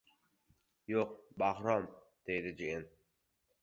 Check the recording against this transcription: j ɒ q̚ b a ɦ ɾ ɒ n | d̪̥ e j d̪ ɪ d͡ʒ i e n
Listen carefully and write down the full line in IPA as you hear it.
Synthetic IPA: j o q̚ b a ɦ ɾ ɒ m | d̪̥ e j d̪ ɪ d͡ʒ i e n